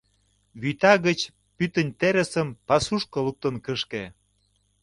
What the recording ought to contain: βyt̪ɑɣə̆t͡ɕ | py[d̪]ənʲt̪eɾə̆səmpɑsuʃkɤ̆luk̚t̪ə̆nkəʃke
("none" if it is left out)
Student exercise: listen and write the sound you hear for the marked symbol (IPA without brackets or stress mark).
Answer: t̪